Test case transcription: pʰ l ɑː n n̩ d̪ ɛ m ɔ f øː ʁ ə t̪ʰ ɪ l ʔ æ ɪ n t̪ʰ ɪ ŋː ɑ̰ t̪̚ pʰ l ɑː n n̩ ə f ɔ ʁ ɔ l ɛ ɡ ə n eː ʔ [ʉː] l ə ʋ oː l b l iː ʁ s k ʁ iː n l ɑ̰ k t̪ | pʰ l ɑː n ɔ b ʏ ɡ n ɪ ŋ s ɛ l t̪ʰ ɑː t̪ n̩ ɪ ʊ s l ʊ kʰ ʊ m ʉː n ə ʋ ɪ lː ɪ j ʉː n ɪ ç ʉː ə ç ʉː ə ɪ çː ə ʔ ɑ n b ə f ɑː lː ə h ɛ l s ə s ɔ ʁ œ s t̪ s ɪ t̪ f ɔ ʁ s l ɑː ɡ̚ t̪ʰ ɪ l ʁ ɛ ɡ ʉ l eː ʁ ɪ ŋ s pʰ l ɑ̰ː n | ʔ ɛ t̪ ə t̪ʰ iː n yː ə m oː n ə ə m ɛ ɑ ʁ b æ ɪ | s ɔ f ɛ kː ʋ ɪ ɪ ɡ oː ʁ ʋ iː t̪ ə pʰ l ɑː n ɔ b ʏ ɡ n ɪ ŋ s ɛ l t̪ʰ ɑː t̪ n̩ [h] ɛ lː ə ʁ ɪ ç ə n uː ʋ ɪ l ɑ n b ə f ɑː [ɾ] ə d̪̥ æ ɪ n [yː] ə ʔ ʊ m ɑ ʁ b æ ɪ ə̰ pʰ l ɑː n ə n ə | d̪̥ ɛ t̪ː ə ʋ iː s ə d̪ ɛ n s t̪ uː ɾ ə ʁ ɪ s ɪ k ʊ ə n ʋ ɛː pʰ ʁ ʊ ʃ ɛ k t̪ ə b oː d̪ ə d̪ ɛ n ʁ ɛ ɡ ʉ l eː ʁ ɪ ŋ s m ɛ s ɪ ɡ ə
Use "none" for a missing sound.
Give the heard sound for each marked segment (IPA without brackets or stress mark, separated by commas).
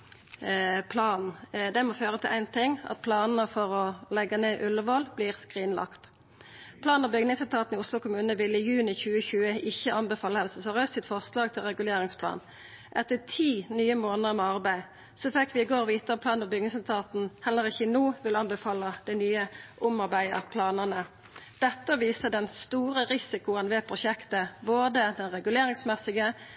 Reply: ʉ, h, l, yː